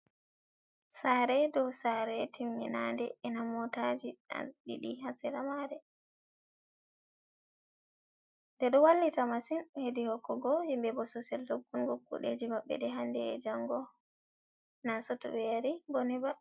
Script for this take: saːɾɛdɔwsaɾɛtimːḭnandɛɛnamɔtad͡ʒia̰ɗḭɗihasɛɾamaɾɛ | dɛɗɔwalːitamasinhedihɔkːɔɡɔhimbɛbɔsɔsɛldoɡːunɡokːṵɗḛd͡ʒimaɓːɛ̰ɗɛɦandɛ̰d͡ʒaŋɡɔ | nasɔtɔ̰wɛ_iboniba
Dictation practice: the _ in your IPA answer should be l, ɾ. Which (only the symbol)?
ɾ